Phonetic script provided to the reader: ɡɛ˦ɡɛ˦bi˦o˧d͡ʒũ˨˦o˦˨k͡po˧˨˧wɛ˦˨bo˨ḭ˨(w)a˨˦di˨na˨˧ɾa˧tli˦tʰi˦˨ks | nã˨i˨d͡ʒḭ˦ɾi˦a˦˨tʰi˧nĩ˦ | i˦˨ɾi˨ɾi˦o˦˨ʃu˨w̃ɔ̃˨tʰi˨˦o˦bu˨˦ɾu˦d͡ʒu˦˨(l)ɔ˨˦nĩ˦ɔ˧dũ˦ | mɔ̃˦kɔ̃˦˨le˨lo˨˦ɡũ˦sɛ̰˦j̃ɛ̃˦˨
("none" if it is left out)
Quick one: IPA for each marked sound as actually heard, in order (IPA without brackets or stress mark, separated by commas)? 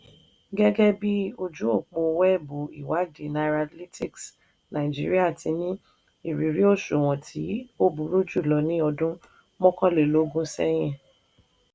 w, l